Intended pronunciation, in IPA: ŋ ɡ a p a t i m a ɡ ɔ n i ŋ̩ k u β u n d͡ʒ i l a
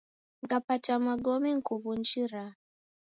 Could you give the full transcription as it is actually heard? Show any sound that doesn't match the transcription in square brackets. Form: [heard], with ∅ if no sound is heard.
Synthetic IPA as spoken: ŋ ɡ a p a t [a] m a ɡ ɔ [m] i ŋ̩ k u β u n d͡ʒ i [ɾ] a